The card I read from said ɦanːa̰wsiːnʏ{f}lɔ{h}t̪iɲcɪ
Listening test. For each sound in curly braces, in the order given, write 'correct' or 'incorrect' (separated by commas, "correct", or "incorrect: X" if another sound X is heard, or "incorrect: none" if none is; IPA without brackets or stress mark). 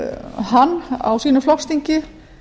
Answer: correct, incorrect: s